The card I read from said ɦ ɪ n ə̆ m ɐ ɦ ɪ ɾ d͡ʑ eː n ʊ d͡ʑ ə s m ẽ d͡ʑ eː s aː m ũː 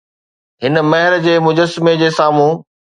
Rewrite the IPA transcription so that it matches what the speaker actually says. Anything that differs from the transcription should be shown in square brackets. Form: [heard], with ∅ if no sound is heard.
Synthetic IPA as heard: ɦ ɪ n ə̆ m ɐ ɦ ɪ ɾ d͡ʑ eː [m] ʊ d͡ʑ ə s m [e] d͡ʑ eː s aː m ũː